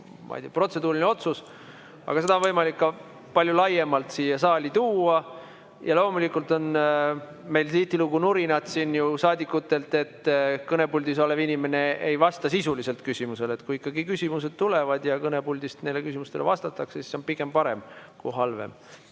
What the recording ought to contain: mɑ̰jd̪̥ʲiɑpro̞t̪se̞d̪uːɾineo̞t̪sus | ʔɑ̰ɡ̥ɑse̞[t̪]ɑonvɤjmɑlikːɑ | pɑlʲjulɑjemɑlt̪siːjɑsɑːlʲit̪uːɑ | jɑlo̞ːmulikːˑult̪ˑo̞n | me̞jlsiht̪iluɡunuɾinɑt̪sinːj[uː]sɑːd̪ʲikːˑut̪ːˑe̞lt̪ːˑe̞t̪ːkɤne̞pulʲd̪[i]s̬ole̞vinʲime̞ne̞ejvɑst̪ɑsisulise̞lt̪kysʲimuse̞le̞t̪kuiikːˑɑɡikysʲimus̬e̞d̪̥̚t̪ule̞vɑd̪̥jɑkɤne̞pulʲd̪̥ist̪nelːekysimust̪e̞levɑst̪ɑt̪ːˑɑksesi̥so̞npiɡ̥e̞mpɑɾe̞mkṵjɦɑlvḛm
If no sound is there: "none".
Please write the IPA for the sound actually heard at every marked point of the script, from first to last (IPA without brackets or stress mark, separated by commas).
d̪, u, i